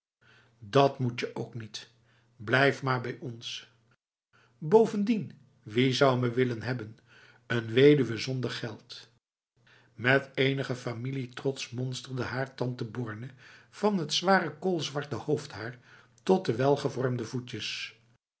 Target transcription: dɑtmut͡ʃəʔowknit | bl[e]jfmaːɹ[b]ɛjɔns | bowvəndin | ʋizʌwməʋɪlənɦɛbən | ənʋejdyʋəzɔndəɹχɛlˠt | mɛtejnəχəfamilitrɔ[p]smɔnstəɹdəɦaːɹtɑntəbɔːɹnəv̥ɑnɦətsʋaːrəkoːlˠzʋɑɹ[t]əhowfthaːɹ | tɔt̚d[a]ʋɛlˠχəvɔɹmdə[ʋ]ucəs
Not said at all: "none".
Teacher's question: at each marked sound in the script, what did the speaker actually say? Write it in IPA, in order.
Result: ɛ, b, t, t, ə, v

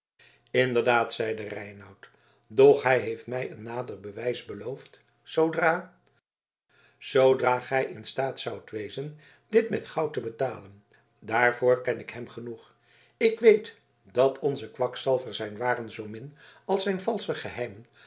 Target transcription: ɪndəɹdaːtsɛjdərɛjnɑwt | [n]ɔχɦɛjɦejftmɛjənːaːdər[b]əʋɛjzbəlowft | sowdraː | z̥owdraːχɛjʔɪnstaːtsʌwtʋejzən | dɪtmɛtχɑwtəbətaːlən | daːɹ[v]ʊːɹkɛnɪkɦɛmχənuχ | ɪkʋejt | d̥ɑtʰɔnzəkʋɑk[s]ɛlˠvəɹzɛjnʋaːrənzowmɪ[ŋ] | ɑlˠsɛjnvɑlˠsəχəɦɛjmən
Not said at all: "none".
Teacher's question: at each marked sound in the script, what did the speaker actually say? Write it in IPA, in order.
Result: d, b, v, s, n

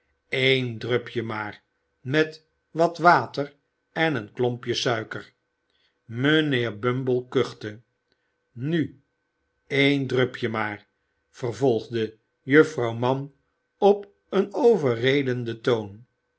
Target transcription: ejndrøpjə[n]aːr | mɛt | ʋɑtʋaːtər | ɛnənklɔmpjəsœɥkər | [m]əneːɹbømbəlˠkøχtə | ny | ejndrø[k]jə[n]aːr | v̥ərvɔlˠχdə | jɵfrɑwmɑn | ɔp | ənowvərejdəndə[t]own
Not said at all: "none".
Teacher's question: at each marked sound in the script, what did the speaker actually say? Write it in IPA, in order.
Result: m, m, p, m, t

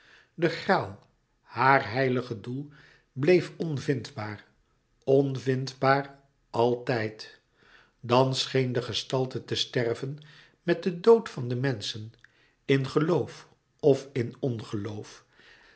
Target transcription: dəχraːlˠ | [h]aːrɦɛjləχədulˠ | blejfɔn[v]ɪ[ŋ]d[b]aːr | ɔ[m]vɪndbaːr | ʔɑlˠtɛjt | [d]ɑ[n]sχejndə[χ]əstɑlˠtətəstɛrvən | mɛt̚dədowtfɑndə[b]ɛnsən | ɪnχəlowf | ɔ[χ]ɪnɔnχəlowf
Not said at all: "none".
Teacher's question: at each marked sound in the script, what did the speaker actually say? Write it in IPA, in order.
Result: h, v, n, b, n, d, n, χ, m, f

